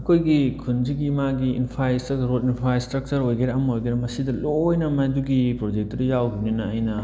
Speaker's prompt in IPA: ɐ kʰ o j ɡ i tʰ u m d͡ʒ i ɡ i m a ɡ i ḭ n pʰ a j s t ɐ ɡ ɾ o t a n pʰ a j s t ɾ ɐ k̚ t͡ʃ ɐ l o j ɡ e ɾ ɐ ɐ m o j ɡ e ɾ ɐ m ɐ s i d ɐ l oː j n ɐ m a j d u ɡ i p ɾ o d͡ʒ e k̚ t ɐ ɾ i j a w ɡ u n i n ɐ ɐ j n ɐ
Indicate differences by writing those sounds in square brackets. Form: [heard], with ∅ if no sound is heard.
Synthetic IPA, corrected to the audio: ɐ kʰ o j ɡ i [kʰ] u [n] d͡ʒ i ɡ i m a ɡ i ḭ n pʰ a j s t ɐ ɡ ɾ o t [i] n pʰ a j s t ɾ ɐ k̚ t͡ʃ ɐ [ɾ] o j ɡ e ɾ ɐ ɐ m o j ɡ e ɾ ɐ m ɐ s i d ɐ l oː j n ɐ m a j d u ɡ i p ɾ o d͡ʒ e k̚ t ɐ ɾ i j a w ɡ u n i n ɐ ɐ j n ɐ